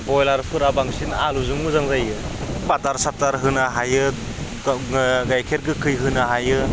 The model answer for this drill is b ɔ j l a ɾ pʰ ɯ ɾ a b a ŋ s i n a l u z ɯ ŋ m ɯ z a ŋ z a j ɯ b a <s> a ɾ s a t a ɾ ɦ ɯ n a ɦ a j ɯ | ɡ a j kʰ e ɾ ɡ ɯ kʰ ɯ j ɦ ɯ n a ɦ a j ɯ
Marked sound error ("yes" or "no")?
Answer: yes